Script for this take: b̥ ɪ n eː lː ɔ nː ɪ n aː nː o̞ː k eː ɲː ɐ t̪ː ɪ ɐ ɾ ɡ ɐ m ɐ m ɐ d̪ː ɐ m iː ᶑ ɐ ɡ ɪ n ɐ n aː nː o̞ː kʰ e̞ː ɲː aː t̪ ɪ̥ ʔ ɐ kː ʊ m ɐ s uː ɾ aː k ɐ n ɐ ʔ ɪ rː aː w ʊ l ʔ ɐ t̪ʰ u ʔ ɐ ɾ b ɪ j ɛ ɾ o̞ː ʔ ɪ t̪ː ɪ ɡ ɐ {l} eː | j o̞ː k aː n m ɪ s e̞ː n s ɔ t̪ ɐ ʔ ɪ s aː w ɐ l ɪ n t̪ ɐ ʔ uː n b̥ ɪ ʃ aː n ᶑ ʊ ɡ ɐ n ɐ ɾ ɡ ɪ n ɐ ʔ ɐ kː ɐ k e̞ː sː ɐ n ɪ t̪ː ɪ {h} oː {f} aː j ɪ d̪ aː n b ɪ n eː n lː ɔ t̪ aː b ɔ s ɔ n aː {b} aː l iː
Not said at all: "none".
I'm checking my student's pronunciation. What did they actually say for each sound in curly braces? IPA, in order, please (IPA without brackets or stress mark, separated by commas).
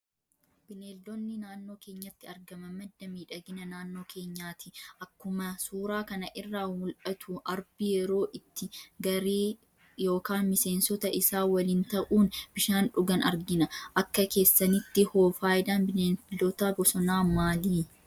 ɾ, h, f, m